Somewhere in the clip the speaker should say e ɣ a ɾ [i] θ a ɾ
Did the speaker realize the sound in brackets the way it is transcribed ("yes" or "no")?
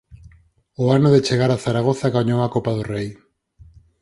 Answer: no